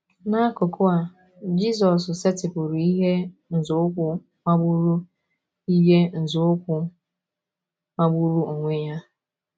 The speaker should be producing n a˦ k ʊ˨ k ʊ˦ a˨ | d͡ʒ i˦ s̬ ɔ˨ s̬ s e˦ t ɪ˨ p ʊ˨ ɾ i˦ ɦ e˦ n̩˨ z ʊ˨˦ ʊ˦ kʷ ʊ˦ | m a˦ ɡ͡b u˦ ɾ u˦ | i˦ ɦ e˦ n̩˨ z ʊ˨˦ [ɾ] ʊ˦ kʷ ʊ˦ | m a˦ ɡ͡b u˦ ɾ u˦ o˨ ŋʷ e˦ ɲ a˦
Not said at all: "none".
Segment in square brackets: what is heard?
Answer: none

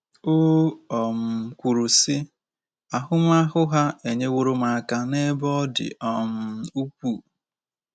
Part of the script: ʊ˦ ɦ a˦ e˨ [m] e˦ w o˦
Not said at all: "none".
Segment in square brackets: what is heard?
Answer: ɲ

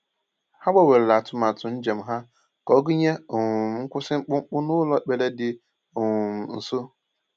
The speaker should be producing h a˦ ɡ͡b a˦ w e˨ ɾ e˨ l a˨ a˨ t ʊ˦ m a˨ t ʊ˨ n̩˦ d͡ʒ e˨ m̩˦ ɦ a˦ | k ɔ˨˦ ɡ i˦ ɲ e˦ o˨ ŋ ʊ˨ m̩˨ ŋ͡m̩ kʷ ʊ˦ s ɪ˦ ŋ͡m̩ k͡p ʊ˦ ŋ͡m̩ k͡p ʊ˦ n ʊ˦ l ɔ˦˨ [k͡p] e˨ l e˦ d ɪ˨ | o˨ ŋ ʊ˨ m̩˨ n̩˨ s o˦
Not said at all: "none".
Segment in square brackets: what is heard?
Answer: k͡p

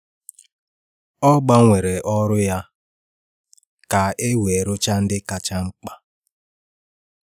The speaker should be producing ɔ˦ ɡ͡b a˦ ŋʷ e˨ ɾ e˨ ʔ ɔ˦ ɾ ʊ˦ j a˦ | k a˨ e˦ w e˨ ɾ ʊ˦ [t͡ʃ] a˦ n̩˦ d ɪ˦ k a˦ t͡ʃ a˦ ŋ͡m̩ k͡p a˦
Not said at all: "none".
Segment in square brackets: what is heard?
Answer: t͡ʃ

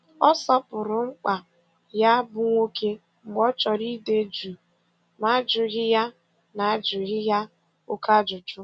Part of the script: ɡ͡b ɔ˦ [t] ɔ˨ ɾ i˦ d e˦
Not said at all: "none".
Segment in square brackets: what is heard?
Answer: t͡ʃ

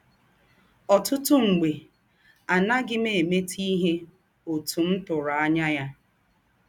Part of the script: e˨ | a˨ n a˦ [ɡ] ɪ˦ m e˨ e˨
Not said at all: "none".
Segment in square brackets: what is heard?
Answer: ɡ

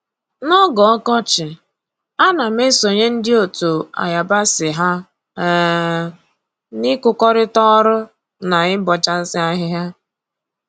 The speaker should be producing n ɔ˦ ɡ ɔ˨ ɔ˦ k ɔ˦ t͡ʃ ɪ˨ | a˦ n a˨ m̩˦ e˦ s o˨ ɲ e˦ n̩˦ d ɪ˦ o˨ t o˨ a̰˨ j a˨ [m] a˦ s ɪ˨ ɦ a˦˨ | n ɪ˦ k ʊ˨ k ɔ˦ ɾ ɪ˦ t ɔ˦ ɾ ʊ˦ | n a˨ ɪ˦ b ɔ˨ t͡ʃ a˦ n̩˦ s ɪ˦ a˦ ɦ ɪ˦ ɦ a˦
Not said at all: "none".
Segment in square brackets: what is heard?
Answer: b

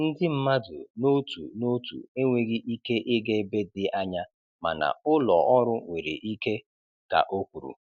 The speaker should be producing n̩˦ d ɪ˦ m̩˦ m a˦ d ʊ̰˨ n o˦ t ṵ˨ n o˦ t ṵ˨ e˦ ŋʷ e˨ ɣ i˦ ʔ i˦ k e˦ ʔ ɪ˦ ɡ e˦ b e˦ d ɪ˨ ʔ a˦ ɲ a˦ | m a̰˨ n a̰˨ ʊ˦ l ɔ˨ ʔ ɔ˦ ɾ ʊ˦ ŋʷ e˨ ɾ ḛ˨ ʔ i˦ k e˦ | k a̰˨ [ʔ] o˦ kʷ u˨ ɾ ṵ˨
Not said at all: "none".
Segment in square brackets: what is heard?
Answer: ʔ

